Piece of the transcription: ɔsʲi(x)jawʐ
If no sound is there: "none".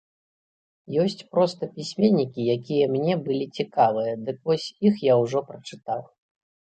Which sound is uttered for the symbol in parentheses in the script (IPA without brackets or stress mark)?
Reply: x